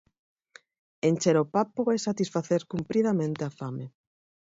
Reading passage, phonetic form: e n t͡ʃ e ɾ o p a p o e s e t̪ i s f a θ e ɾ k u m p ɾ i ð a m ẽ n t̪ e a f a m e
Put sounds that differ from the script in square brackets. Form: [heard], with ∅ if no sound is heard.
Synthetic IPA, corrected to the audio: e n t͡ʃ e ɾ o p a p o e s [a] t̪ i s f a θ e ɾ k u m p ɾ i ð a m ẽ n t̪ e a f a m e